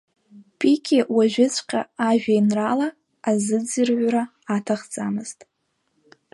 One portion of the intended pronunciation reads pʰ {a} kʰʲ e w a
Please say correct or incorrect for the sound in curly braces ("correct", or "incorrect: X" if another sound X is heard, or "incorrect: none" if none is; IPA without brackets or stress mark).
incorrect: i